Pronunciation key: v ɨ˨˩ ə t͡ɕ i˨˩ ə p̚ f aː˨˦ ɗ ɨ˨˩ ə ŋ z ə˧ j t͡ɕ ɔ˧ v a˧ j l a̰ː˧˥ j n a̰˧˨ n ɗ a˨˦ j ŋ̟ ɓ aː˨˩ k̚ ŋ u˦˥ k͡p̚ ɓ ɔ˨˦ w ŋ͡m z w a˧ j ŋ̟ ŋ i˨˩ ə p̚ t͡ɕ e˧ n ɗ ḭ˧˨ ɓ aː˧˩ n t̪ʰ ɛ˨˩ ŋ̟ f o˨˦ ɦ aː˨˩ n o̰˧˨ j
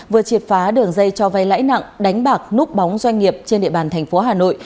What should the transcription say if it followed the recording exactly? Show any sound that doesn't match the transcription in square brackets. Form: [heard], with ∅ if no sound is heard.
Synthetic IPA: v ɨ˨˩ ə t͡ɕ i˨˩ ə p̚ f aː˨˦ ɗ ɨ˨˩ ə ŋ z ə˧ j t͡ɕ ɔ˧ v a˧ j l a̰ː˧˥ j n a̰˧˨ [ŋ] ɗ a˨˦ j ŋ̟ ɓ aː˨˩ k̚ [n] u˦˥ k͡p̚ ɓ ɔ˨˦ w ŋ͡m z w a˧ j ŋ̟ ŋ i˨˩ ə p̚ t͡ɕ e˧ n ɗ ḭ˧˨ ɓ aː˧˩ n t̪ʰ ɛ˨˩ ŋ̟ f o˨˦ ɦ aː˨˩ n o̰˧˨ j